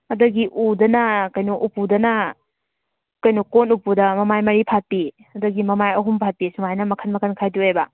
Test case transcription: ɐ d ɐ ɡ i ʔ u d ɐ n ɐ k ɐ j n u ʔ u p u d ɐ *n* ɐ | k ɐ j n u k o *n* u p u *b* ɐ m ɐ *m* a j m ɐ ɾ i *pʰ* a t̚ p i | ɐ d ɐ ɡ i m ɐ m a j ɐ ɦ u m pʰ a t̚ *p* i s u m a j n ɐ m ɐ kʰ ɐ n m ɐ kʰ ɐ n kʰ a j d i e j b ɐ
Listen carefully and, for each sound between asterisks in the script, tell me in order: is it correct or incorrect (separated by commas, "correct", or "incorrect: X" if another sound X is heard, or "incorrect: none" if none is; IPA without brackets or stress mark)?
correct, correct, incorrect: d, correct, correct, correct